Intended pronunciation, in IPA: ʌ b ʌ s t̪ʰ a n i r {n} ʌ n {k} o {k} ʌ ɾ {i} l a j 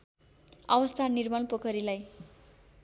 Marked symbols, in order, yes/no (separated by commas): no, no, yes, yes